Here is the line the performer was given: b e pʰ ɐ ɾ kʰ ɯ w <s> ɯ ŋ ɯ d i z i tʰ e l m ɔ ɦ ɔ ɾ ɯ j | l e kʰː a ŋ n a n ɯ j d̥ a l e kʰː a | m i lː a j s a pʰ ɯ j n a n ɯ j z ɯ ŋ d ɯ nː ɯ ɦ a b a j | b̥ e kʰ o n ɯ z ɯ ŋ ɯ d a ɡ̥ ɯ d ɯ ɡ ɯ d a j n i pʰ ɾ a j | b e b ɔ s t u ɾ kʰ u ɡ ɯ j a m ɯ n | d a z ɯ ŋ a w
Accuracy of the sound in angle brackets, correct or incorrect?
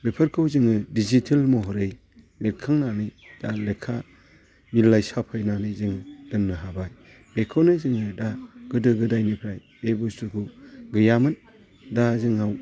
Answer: incorrect: z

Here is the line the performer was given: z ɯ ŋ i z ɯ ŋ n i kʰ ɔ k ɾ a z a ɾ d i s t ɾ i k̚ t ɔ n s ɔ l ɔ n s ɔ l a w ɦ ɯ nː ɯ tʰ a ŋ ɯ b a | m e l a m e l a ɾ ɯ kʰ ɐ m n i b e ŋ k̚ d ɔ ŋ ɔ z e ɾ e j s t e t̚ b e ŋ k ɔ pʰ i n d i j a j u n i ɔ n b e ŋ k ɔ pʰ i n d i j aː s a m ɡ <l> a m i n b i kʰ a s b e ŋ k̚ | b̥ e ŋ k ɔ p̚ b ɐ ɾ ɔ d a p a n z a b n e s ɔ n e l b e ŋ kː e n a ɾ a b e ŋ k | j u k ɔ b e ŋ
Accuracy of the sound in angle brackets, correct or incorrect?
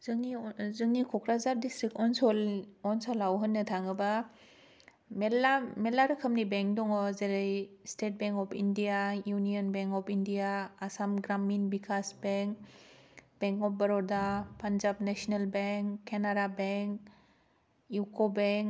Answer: incorrect: ɾ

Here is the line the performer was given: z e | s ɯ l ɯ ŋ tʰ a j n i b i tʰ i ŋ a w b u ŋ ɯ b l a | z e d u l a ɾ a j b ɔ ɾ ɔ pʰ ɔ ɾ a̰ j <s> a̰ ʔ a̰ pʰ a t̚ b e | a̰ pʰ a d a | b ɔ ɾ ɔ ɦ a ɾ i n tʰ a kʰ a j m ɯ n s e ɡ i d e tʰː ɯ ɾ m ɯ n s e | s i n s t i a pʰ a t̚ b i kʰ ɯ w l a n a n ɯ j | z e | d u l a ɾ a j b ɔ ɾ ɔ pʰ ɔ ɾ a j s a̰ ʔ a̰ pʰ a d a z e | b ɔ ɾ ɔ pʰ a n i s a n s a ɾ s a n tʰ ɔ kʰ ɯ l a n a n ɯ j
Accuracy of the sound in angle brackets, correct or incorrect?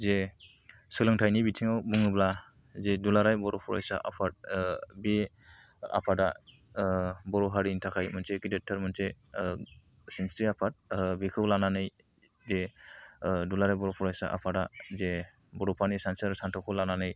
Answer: correct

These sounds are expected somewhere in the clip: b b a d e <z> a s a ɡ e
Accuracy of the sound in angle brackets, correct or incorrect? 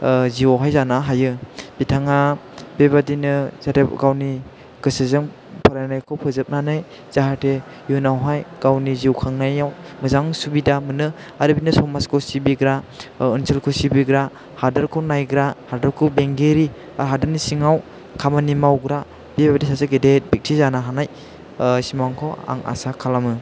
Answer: incorrect: s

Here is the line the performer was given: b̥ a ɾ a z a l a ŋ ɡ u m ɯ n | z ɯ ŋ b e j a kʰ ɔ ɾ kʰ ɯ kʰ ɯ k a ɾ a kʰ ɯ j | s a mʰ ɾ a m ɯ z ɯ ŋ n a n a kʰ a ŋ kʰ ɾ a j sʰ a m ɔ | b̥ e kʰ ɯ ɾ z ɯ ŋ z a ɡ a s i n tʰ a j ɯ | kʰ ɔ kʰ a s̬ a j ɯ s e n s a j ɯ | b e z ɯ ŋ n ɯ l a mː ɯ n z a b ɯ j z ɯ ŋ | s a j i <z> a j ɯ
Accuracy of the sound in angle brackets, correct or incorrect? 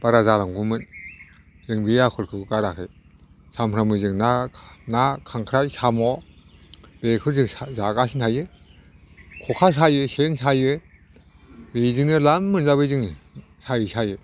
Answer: incorrect: s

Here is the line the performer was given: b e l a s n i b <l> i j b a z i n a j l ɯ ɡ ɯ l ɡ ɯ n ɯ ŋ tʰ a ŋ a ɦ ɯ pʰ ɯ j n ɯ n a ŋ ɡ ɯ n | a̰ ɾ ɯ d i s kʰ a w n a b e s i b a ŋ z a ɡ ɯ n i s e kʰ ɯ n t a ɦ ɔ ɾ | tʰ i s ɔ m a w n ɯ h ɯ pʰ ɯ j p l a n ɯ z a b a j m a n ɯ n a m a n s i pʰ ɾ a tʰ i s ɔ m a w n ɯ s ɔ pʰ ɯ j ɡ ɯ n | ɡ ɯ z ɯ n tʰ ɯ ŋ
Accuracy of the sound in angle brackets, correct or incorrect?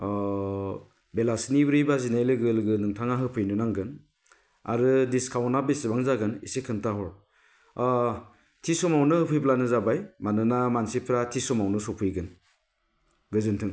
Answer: incorrect: ɾ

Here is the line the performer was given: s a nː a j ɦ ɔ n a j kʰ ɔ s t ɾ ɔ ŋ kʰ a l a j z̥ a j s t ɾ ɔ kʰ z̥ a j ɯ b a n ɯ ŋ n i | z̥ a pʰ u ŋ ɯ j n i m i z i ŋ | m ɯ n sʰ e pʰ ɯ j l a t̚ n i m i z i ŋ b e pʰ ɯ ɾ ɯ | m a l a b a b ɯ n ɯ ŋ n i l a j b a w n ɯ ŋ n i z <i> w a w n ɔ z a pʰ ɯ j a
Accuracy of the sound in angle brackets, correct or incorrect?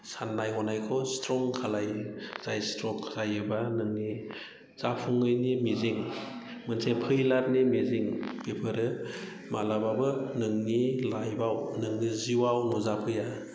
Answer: correct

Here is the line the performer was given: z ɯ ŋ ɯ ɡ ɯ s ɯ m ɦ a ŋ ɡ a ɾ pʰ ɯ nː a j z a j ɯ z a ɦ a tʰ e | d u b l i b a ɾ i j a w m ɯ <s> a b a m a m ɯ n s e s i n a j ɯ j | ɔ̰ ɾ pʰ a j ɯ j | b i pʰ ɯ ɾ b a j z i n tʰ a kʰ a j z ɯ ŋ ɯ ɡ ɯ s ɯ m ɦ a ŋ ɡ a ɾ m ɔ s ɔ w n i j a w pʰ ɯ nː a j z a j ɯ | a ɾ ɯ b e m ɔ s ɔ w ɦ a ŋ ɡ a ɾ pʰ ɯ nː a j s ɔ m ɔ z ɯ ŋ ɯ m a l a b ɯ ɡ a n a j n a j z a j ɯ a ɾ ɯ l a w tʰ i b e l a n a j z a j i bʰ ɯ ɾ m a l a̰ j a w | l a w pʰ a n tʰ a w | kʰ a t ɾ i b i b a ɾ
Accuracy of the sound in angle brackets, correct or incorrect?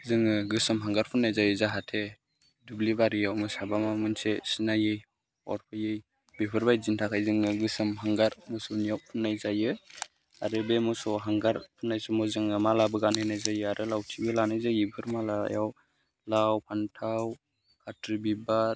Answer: correct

